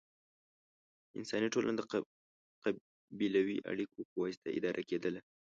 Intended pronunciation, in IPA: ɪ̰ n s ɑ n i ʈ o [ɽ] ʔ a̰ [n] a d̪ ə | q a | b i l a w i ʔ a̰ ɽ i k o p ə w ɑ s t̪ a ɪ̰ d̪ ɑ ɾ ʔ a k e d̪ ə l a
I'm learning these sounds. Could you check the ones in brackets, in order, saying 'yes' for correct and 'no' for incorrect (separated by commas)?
no, yes